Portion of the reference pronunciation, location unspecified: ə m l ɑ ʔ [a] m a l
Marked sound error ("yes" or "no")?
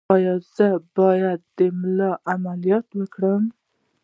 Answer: no